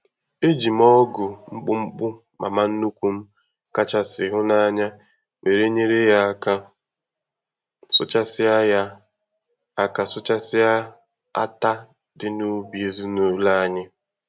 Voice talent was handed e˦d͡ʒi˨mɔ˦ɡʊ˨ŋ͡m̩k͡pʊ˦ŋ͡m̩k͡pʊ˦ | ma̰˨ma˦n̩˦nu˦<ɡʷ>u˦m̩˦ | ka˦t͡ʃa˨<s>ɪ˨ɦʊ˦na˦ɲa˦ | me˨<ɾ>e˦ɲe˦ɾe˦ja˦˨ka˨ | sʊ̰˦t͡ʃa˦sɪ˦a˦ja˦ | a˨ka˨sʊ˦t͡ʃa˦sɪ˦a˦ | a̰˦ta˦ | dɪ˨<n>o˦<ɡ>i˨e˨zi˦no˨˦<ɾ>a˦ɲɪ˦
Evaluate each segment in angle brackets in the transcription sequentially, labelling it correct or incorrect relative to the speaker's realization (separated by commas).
incorrect, correct, correct, correct, incorrect, incorrect